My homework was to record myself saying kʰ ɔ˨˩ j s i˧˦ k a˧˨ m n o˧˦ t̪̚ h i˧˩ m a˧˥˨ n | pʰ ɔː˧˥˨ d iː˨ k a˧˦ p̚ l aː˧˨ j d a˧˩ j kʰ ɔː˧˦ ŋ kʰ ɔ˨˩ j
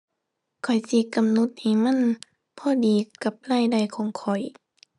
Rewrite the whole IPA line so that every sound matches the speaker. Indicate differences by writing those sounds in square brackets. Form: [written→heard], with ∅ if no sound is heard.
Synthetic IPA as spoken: kʰ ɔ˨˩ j s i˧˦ k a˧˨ m n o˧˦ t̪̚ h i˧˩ m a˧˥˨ n | pʰ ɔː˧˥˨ d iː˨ k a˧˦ p̚ l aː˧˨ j d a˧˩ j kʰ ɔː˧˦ ŋ kʰ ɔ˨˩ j